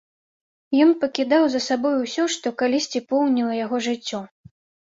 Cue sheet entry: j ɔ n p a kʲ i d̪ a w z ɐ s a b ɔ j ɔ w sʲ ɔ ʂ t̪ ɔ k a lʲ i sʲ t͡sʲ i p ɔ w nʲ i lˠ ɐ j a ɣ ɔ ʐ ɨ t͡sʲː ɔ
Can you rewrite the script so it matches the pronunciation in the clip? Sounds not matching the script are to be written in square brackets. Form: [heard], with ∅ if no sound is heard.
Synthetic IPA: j ɔ n p [ɐ] kʲ i d̪ a w z ɐ s a b ɔ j [u] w sʲ ɔ ʂ t̪ ɔ k a lʲ i sʲ t͡sʲ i p ɔ w nʲ i lˠ ɐ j a ɣ ɔ ʐ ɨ t͡sʲː ɔ